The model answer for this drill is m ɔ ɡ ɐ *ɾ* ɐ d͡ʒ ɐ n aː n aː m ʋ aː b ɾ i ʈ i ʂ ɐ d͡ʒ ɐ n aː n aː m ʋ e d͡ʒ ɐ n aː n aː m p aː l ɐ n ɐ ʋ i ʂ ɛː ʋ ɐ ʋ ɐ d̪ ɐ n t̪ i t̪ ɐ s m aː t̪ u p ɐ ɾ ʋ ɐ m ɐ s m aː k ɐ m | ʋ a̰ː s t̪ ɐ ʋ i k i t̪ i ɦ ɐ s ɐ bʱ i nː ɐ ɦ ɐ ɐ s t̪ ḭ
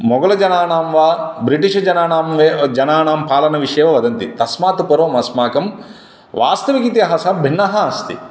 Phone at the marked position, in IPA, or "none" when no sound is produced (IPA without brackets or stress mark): l